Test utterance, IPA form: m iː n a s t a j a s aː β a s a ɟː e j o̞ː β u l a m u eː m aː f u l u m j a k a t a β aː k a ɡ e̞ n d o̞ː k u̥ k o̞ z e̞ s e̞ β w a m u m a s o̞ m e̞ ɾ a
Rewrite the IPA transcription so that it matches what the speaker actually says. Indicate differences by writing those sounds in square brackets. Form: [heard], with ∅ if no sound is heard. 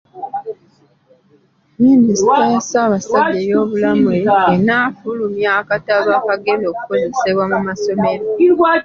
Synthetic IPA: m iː n [i] s t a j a s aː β a s a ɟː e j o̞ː β u l a m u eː [n] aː f u l u m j a k a t a β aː k a ɡ e̞ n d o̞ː k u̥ k o̞ z e̞ s e̞ β w a m u m a s o̞ m e̞ ɾ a